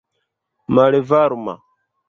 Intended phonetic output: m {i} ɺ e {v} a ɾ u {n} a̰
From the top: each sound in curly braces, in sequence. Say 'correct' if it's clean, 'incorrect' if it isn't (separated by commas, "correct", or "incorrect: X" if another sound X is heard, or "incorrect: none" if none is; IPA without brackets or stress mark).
incorrect: a, correct, incorrect: m